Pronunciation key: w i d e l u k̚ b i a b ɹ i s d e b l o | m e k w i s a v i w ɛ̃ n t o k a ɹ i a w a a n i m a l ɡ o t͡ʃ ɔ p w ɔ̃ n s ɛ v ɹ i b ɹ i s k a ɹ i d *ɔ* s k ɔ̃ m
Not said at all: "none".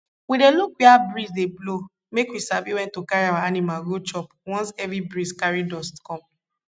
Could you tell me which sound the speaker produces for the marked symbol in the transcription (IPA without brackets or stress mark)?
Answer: ɔ